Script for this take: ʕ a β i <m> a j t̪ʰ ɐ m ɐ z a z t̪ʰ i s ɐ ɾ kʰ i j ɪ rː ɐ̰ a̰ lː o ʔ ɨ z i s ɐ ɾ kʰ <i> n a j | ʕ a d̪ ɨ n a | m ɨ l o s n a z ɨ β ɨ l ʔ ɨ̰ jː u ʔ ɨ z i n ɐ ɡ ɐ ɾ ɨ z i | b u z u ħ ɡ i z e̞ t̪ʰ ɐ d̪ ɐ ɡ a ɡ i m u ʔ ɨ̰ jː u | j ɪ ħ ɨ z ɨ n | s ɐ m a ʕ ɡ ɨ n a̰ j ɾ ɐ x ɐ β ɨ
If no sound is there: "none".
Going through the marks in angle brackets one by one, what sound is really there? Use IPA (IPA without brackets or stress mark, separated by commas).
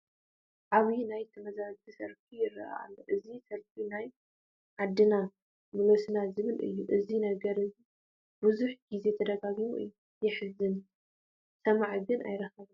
n, i